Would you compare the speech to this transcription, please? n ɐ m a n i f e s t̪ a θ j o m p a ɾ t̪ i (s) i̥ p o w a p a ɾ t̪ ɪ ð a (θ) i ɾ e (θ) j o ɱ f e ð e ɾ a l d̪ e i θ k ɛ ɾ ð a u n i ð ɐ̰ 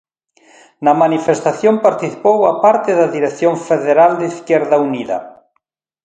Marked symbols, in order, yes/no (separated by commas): no, no, yes